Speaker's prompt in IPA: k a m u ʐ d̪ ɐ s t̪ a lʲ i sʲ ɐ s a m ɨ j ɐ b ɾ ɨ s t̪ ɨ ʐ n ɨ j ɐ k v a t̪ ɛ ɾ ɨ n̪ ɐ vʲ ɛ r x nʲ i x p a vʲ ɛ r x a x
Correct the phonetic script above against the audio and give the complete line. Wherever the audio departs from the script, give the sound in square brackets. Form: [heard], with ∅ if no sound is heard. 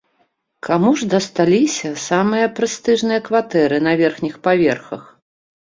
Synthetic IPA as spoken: k a m u ʐ d̪ ɐ s t̪ a lʲ i sʲ ɐ s a m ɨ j ɐ [p] ɾ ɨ s t̪ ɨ ʐ n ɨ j ɐ k v a t̪ ɛ ɾ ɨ n̪ ɐ vʲ ɛ r x nʲ i x p a vʲ ɛ r x [ɐ] x